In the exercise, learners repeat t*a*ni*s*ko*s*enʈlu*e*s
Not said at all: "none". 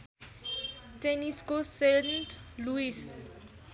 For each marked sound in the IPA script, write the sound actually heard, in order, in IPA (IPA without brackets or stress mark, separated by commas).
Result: e, s, s, i